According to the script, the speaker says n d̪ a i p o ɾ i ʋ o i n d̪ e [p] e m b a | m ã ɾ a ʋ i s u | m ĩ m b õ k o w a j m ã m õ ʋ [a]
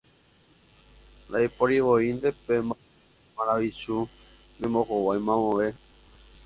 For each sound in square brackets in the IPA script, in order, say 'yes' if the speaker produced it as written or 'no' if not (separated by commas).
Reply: yes, no